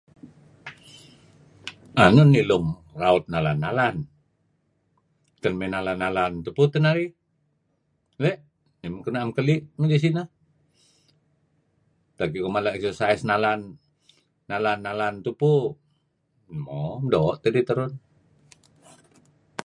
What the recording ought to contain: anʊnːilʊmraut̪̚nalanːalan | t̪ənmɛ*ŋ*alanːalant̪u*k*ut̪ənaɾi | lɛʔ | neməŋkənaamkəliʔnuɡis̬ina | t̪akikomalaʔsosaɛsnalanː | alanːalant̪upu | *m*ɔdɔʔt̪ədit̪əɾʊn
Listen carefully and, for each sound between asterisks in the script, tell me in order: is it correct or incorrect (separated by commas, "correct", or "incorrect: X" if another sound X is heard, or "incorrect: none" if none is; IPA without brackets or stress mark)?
incorrect: n, incorrect: p, correct